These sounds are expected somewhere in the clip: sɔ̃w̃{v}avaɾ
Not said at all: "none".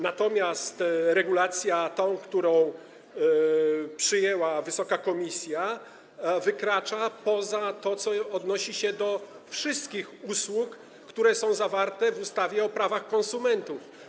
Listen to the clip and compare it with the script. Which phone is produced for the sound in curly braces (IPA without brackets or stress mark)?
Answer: z